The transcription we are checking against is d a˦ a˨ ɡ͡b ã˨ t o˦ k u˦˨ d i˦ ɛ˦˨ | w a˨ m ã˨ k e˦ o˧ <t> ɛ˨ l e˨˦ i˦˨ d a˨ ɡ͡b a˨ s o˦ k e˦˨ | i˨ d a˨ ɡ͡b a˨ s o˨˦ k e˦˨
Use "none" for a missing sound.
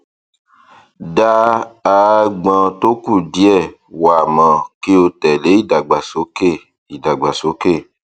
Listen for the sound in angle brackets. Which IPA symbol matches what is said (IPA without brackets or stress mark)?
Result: t